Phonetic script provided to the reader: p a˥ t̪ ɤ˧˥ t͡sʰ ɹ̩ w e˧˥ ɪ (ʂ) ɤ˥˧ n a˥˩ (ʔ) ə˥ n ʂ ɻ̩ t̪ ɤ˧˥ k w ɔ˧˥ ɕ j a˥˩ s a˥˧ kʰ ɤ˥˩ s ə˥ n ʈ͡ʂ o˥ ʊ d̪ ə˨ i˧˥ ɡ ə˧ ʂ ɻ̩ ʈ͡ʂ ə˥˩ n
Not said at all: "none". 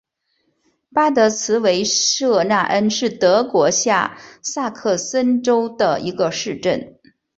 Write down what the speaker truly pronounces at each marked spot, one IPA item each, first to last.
ʂ, ʔ

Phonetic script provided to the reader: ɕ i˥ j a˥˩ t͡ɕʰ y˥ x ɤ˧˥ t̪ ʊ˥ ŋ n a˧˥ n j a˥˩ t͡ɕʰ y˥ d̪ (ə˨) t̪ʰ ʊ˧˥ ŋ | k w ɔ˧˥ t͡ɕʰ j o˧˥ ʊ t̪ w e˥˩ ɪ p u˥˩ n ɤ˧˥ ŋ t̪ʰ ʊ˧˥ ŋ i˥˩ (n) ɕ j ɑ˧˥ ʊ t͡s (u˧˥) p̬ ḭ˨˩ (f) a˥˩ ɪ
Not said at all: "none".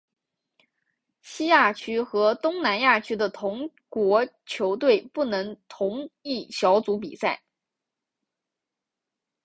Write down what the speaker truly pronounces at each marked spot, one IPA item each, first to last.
ə˨, none, u˧˥, s

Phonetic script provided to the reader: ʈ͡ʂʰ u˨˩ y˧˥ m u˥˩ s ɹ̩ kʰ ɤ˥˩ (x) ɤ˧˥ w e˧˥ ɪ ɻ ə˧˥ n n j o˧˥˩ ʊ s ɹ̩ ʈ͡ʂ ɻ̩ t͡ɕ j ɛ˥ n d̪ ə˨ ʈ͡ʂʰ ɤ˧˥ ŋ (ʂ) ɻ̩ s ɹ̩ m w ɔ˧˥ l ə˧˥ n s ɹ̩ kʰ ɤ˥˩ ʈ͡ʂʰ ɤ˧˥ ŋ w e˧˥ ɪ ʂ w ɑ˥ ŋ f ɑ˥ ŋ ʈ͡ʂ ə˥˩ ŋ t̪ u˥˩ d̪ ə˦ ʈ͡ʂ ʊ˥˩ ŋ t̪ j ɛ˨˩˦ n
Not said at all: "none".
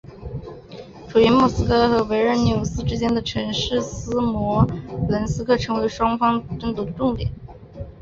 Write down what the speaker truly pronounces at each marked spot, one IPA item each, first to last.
x, ʂ

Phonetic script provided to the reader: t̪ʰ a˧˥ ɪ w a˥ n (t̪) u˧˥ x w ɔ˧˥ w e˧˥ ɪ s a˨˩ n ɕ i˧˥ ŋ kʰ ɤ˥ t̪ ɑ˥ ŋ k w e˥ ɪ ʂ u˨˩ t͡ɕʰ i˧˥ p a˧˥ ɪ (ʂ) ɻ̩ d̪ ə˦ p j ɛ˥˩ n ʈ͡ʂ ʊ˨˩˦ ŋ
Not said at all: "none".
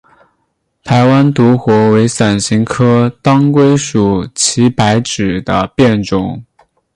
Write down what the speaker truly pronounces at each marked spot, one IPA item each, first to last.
t̪, ʈ͡ʂ

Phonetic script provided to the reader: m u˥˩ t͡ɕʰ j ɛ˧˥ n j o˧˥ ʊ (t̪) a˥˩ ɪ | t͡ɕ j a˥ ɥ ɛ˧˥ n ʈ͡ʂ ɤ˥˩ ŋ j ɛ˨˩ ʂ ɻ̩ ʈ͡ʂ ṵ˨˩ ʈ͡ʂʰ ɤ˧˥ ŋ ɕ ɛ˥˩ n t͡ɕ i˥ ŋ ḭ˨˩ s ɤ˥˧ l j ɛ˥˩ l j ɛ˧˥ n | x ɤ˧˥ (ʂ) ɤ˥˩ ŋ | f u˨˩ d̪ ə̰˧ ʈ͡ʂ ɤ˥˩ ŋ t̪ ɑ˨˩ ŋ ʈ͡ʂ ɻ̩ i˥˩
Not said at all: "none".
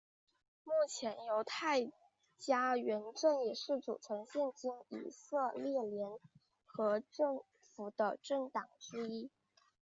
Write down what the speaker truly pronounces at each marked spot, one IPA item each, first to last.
t̪ʰ, ʈ͡ʂ

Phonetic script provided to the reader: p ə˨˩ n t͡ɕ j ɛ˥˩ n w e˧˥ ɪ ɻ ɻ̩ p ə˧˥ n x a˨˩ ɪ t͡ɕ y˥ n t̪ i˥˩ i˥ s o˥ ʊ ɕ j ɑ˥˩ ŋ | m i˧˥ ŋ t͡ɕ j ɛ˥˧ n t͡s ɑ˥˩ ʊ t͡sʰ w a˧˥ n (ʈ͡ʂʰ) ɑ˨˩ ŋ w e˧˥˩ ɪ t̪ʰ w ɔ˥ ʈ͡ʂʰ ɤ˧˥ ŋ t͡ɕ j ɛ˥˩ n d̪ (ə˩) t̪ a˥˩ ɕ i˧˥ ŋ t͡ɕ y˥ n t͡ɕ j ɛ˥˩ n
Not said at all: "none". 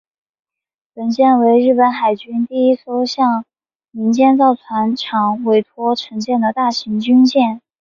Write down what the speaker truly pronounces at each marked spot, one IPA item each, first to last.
ʈ͡ʂʰ, ə˩

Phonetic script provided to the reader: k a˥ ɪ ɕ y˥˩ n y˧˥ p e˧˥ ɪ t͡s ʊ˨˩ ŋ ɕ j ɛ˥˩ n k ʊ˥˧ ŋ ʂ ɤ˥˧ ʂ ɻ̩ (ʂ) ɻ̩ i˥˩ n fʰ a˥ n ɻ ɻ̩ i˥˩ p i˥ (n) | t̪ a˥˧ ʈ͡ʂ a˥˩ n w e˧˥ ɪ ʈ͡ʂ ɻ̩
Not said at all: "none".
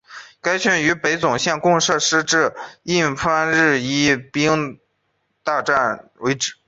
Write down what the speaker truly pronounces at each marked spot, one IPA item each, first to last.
ʈ͡ʂ, ŋ

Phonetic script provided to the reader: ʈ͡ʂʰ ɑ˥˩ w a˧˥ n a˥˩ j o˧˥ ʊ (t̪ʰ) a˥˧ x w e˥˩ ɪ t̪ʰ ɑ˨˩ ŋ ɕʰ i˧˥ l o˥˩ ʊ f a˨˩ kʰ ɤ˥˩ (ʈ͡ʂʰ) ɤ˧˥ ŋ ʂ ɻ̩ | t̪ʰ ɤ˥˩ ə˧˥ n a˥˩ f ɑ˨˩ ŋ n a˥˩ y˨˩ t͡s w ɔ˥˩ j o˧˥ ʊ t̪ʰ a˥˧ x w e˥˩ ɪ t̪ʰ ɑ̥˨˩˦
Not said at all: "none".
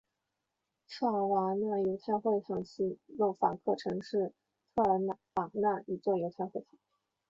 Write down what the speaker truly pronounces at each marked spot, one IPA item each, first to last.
t̪ʰ, ʈ͡ʂʰ

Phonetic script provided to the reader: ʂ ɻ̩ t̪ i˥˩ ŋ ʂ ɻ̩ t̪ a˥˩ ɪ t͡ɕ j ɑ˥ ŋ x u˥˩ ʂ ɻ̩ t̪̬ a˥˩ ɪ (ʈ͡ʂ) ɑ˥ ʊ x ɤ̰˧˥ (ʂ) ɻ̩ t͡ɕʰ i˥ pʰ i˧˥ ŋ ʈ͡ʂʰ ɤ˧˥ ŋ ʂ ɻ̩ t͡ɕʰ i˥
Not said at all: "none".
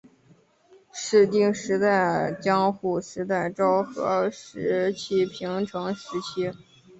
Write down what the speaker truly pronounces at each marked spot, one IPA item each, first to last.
ʈ͡ʂ, ʂ

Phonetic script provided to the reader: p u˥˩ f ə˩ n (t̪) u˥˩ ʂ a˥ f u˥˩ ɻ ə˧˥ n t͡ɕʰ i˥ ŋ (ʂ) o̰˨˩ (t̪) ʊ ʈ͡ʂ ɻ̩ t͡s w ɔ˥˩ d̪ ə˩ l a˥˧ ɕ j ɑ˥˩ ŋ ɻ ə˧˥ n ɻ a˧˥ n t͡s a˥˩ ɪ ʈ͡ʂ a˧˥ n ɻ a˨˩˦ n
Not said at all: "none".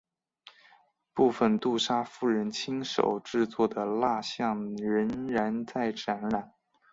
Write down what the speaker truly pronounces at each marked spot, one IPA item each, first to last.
t̪, ʂ, none

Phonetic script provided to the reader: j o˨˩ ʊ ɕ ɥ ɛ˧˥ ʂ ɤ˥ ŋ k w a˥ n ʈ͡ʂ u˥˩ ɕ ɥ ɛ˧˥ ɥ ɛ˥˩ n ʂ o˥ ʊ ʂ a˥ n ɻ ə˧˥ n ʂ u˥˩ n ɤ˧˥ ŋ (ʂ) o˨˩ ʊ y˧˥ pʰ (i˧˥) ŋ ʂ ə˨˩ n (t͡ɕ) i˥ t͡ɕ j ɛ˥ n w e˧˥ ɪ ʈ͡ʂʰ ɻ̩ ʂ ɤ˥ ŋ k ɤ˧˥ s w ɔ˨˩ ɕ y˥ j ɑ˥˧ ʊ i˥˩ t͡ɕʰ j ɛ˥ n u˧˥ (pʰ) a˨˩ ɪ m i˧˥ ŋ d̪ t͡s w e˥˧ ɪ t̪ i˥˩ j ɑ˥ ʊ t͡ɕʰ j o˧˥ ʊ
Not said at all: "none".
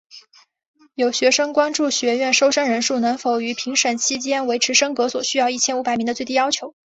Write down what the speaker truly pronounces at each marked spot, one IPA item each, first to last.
f, i˧˥, t͡ɕʰ, p

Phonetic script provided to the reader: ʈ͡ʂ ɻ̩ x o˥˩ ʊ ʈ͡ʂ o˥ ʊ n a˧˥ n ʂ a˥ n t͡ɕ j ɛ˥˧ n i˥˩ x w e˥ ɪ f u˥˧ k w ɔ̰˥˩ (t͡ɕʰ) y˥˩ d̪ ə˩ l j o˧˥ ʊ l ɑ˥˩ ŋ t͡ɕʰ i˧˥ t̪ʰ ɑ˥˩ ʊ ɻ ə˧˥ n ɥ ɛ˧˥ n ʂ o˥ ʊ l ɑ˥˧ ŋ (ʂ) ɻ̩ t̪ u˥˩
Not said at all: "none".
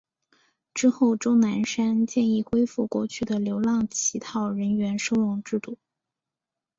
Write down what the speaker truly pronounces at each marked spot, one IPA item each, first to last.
t͡ɕʰ, ʈ͡ʂ

